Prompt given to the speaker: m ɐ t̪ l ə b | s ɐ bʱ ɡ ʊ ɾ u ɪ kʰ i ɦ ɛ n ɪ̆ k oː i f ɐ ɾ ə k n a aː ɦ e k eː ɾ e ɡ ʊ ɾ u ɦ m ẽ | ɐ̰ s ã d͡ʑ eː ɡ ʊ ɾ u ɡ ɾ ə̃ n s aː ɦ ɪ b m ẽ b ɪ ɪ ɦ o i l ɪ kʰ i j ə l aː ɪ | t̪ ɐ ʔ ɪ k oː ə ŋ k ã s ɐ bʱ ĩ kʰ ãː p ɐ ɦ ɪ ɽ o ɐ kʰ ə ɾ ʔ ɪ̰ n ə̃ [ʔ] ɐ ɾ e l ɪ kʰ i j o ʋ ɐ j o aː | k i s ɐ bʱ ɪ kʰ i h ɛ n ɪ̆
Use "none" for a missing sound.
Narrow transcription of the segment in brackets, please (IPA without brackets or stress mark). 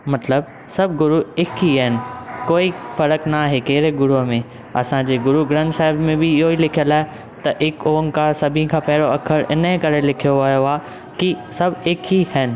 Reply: k